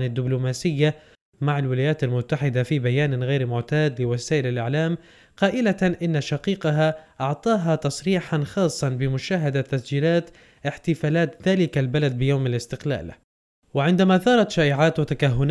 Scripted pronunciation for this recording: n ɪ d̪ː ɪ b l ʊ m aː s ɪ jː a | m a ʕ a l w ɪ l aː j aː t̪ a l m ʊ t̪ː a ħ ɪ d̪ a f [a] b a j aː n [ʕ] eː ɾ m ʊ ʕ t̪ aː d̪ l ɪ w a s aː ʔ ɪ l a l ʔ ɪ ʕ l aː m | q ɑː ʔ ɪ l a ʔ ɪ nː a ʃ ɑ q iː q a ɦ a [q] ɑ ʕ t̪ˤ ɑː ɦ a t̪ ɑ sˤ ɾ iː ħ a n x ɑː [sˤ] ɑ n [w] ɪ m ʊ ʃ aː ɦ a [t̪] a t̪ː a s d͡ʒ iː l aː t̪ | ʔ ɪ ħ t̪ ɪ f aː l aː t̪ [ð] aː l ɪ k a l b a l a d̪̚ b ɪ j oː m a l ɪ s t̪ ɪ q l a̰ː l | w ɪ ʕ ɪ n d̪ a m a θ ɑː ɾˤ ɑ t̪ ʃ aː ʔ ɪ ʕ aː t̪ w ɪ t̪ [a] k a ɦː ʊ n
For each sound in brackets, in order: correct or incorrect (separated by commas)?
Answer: incorrect, incorrect, incorrect, incorrect, incorrect, incorrect, correct, correct